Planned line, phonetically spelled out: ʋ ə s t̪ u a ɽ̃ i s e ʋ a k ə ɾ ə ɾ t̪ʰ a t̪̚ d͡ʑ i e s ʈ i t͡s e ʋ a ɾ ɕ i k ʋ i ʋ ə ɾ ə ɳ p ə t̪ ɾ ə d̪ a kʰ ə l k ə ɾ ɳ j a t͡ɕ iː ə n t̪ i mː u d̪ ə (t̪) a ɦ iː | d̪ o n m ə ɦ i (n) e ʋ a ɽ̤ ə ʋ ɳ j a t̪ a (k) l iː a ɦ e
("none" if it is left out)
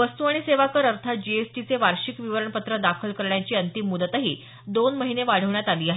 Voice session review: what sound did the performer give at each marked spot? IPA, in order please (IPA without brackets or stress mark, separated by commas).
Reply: t̪, n, none